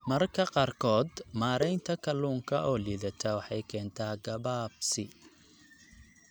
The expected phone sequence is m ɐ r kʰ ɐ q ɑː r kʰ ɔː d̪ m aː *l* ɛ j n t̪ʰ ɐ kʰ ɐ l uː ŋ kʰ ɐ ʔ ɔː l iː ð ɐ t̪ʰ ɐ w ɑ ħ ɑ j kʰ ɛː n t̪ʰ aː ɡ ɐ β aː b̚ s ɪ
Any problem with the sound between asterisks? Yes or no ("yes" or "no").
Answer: yes